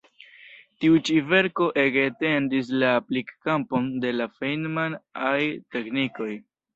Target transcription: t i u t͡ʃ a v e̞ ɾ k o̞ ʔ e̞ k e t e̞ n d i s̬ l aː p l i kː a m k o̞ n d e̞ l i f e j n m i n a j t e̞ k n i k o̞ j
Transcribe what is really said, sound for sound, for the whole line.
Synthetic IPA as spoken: t i u t͡ʃ i v e̞ ɾ k o̞ ʔ e̞ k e t e̞ n d i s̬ l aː p l i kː a m p o̞ n d e̞ l a f e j n m a n a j t e̞ k n i k o̞ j